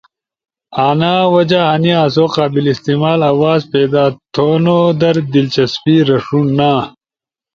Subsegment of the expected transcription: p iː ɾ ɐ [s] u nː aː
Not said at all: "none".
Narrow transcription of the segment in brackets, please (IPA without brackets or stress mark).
ʂ